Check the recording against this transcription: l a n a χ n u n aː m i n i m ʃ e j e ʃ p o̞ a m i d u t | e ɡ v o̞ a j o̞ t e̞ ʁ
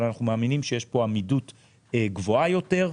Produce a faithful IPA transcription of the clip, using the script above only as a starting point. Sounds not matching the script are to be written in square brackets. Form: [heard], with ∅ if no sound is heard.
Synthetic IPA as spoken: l a n a χ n u [m] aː m i n i m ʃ e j e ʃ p o̞ a m i d u t | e ɡ v o̞ a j o̞ t e̞ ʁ